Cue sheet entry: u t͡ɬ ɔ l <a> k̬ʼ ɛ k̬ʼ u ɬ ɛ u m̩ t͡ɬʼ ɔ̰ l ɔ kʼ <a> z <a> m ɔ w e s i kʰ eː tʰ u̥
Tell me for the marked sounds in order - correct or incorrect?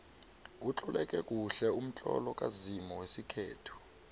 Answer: incorrect, correct, incorrect

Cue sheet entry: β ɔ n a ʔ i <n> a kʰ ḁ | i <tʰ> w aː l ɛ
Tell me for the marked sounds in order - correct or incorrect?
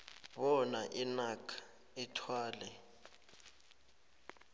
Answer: correct, correct

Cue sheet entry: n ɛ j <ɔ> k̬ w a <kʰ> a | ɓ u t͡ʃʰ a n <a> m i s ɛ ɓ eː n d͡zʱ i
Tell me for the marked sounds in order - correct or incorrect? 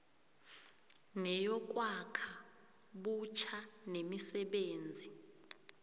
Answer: correct, correct, incorrect

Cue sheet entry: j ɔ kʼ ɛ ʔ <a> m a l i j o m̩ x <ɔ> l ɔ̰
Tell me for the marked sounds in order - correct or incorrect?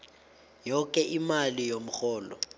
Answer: incorrect, incorrect

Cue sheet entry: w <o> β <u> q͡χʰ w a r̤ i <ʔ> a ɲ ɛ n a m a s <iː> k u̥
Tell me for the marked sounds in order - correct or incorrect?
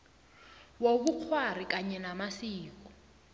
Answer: correct, correct, incorrect, correct

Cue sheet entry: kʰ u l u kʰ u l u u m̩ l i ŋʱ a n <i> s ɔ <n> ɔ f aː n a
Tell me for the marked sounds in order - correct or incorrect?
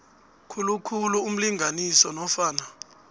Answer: correct, correct

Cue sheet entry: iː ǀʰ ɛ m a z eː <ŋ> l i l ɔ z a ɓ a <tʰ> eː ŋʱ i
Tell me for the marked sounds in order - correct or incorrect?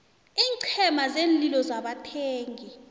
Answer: incorrect, correct

